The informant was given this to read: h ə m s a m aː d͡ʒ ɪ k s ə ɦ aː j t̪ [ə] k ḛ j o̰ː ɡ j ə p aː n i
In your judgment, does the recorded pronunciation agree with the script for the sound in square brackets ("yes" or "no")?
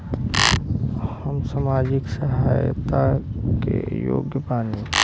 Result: no